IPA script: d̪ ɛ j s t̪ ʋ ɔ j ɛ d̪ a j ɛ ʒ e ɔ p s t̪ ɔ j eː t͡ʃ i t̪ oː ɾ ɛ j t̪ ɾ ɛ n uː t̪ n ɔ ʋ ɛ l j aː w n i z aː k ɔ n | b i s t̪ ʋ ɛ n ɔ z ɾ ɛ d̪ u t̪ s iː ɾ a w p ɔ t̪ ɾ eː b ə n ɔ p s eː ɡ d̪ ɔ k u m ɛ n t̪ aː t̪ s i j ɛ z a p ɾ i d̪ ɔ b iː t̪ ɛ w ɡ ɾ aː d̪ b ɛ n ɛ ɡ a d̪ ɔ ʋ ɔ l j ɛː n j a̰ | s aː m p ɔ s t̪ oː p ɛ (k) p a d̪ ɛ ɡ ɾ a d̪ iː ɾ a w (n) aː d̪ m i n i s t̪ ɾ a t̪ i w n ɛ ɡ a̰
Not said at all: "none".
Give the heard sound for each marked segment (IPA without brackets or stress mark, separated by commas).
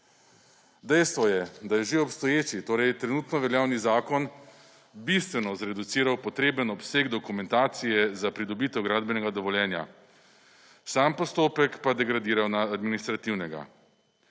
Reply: k, n